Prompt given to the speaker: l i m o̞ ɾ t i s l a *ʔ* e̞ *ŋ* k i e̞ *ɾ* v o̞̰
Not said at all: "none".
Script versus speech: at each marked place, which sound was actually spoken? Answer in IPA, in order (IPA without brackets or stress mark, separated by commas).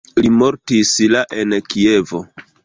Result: ʔ, n, none